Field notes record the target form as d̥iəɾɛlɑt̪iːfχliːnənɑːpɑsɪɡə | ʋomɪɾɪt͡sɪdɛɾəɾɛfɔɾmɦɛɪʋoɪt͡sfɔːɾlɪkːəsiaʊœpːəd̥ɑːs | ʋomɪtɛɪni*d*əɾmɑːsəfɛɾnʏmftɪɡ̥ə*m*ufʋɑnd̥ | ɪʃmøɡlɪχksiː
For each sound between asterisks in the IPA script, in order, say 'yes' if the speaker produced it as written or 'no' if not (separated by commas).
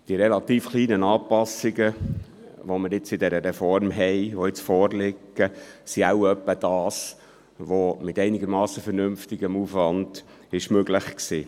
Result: no, yes